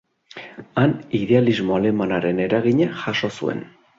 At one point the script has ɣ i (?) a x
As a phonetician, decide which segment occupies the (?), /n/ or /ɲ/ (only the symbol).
ɲ